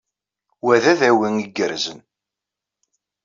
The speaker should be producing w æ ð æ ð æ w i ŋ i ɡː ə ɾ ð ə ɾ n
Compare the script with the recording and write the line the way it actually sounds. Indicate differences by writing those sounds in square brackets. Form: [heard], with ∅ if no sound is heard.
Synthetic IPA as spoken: w æ ð æ ð æ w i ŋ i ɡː ə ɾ [z] ə [∅] n